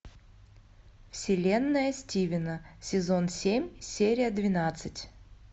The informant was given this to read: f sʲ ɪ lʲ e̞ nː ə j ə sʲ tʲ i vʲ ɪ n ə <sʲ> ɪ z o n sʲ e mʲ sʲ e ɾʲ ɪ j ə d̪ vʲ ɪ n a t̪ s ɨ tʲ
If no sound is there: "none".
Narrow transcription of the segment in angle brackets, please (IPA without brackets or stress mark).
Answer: sʲ